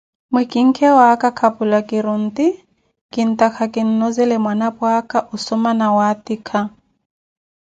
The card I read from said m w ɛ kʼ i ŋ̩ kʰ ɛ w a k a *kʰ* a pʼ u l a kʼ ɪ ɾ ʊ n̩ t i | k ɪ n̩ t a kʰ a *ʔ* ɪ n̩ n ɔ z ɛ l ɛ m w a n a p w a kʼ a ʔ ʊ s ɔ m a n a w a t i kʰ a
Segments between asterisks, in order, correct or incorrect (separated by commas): correct, incorrect